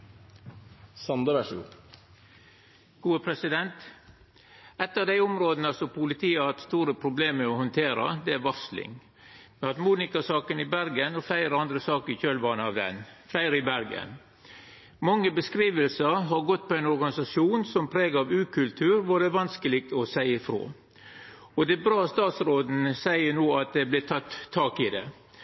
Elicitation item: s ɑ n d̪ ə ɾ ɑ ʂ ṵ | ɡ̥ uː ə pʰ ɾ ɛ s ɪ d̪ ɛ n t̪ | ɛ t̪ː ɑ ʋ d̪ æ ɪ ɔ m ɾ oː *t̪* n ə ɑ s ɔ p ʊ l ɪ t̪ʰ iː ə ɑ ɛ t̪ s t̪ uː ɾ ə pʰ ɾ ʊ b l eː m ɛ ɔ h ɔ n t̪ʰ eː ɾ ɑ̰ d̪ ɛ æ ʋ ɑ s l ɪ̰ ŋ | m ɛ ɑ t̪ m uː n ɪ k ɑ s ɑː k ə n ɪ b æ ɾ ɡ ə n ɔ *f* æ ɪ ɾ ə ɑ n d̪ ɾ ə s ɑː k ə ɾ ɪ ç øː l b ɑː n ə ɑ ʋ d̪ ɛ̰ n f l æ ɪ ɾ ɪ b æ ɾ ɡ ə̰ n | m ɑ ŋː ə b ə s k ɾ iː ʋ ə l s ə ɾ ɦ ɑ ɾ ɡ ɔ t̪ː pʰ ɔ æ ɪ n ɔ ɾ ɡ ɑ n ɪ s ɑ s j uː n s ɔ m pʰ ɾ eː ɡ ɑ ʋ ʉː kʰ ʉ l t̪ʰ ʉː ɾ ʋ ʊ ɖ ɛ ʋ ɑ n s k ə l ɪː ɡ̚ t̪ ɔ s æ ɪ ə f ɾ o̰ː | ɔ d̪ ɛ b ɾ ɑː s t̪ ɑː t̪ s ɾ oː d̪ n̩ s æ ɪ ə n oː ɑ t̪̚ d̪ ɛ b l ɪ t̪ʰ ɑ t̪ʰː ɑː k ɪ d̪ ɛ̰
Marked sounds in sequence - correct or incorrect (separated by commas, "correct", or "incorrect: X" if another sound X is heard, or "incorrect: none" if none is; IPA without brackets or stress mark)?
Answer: incorrect: d̪, correct